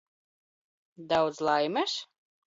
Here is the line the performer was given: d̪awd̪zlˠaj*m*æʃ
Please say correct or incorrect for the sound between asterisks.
correct